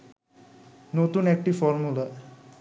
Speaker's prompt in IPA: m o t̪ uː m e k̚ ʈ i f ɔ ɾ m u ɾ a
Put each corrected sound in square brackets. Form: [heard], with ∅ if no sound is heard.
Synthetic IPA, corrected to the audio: [n] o t̪ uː [n] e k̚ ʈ i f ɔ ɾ m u [l] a